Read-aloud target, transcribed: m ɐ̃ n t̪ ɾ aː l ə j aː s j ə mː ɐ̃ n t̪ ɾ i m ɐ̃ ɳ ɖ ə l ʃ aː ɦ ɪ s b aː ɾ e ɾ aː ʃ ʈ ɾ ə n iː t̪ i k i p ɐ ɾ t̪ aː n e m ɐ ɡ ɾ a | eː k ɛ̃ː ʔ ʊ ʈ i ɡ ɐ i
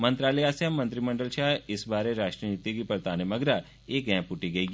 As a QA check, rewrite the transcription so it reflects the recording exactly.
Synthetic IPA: m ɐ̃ n t̪ ɾ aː l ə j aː s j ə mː ɐ̃ n t̪ ɾ i m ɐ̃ ɳ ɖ ə l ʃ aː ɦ ɪ s b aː ɾ e ɾ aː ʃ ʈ ɾ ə n iː t̪ i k i p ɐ ɾ t̪ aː n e m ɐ ɡ ɾ a | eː k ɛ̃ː p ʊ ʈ i ɡ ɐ i